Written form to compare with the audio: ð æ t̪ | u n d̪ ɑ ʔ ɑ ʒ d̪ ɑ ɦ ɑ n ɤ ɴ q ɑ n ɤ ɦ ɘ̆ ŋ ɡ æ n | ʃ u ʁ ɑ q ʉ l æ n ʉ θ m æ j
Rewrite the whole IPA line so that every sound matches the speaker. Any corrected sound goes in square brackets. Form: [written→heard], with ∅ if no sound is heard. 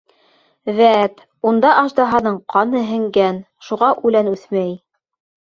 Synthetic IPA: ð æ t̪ | u n d̪ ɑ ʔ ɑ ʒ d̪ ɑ ɦ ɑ n ɤ ɴ q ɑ n ɤ ɦ ɘ̆ ŋ ɡ æ n | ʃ u ʁ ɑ [q→ʔ] ʉ l æ n ʉ θ m æ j

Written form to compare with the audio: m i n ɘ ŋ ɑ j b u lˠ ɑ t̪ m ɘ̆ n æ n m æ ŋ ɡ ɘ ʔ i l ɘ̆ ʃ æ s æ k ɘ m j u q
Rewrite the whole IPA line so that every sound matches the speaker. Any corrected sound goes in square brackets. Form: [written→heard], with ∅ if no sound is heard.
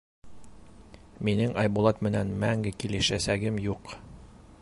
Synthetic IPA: m i n ɘ ŋ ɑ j b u lˠ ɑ t̪ m ɘ̆ n æ n m æ ŋ ɡ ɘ [ʔ→k] i l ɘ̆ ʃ æ s æ [k→ɡ] ɘ m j u q

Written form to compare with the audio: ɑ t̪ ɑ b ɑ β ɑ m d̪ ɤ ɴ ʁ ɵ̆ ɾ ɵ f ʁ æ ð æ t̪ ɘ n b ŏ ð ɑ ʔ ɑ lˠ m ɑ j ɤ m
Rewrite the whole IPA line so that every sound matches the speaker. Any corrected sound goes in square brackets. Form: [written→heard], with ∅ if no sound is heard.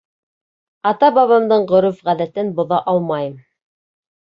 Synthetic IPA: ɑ t̪ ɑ b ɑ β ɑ m d̪ ɤ ɴ ʁ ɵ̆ ɾ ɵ f ʁ æ ð æ t̪ ɘ n b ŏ ð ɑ ʔ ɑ lˠ m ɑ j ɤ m

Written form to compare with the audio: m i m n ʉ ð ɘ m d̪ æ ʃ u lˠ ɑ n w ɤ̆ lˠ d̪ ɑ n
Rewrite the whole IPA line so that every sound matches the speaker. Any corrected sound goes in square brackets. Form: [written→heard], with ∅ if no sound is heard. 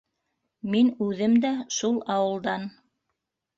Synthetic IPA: m i [m→∅] n ʉ ð ɘ m d̪ æ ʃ u lˠ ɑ [n→∅] w ɤ̆ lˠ d̪ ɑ n

